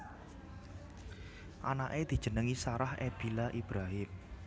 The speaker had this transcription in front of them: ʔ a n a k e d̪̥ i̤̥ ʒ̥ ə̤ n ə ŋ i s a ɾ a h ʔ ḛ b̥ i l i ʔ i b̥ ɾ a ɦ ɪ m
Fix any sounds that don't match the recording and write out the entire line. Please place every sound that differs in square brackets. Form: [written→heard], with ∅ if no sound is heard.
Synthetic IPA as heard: ʔ a n a [k→ʔ] e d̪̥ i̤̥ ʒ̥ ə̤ n ə ŋ i s a ɾ a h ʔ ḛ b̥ i l [i→a] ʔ i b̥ ɾ a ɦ ɪ m